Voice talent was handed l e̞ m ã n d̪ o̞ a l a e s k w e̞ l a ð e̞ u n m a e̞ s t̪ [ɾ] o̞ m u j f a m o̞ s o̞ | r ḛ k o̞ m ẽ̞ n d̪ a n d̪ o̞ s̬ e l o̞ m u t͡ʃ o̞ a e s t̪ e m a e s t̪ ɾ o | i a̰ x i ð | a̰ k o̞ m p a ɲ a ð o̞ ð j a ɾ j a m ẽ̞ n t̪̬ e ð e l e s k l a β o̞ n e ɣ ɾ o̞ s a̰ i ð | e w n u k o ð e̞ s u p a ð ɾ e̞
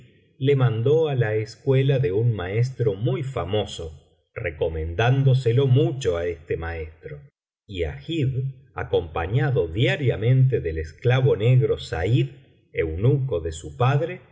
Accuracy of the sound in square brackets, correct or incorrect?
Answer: correct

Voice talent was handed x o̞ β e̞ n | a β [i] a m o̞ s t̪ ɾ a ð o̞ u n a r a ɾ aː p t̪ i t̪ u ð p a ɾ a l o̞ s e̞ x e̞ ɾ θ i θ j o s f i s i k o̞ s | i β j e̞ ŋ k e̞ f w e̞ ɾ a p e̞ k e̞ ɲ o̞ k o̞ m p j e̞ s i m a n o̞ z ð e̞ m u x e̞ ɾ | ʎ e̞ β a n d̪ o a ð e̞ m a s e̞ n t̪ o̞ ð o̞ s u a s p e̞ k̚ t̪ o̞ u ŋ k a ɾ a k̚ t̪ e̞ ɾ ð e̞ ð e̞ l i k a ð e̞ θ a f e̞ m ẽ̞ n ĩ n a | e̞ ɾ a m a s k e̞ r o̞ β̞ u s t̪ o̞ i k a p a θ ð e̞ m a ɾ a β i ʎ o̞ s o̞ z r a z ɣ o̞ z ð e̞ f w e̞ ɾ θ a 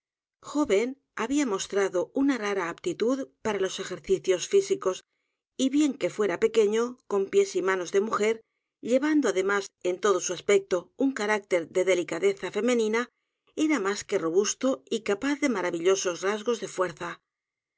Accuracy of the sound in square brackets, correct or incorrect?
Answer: correct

